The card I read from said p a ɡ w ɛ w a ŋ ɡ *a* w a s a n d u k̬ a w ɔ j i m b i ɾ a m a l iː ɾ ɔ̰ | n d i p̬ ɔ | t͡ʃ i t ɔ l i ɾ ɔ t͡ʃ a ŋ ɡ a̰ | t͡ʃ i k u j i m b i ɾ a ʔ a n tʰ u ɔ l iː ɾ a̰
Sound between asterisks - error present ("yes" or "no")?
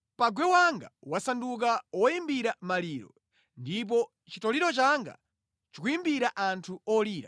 no